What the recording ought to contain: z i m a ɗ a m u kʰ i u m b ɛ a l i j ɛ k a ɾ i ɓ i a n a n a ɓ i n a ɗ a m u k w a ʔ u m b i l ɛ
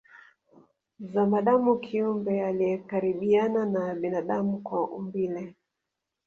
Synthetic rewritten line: z a m a ɗ a m u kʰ i u m b ɛ a l i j ɛ k a ɾ i ɓ i a n a n a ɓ i n a ɗ a m u k w a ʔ u m b i l ɛ